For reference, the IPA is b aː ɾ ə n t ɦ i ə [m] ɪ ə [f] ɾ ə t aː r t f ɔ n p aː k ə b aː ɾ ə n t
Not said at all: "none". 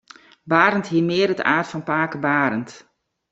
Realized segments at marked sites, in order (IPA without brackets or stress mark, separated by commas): m, none